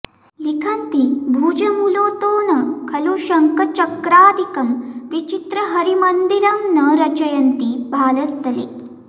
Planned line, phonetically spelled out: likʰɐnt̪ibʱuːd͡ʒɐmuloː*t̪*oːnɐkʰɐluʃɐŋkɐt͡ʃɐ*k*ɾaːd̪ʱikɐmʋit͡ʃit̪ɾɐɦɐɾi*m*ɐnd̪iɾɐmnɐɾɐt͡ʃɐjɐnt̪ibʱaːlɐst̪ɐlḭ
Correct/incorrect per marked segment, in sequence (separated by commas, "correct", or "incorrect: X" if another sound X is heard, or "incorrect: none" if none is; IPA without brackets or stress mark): correct, correct, correct